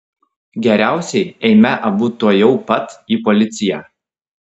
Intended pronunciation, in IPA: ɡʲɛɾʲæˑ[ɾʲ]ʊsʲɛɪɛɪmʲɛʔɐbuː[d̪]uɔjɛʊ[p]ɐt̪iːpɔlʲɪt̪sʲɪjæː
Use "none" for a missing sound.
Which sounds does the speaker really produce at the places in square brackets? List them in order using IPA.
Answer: none, t̪, p

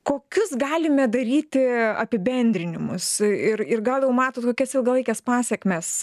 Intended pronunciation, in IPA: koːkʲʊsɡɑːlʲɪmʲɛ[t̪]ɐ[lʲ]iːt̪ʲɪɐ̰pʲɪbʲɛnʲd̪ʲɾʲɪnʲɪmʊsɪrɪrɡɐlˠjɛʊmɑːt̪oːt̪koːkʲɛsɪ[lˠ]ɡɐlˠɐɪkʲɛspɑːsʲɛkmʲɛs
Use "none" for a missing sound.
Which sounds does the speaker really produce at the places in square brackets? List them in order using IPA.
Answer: d̪, ɾʲ, lˠ

